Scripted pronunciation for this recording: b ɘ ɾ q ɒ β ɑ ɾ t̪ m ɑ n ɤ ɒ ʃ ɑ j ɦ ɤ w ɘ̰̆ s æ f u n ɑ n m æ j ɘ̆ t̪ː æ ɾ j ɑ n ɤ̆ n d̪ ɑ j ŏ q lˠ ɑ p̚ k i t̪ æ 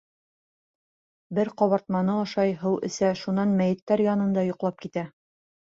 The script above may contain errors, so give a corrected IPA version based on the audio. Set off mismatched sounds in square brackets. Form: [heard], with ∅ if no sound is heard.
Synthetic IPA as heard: b ɘ ɾ q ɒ β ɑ ɾ t̪ m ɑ n ɤ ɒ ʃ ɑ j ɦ ɤ w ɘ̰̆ s æ [ʃ] u n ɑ n m æ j ɘ̆ t̪ː æ ɾ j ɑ n ɤ̆ n d̪ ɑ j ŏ q lˠ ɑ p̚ k i t̪ æ